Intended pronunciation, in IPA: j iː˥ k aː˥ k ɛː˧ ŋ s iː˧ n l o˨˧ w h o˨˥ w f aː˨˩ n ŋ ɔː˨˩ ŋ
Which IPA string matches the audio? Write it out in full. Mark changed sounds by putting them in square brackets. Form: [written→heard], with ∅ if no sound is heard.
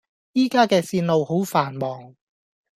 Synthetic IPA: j iː˥ k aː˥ k ɛː˧ [ŋ→∅] s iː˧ n l o˨˧ w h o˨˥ w f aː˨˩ n [ŋ→m] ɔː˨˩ ŋ